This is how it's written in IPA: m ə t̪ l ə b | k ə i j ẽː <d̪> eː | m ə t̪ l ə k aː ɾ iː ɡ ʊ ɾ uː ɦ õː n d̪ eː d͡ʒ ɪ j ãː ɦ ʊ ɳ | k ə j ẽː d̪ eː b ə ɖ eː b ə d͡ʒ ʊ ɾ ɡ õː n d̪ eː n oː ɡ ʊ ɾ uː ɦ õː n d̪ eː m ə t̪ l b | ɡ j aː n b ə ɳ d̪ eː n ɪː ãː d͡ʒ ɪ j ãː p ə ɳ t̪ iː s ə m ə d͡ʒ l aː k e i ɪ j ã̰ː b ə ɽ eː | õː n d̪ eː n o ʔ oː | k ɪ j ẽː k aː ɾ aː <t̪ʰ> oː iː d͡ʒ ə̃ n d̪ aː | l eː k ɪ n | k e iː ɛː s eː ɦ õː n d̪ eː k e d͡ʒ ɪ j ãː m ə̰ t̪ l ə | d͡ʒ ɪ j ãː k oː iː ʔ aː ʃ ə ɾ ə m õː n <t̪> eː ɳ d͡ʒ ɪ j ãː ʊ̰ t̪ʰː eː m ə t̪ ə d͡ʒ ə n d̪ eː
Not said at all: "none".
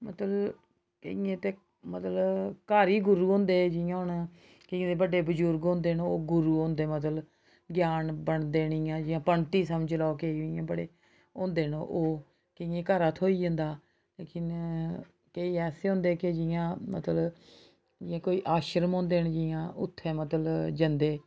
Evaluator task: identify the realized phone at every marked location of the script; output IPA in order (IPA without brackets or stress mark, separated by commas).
t̪, t̪ʰ, d̪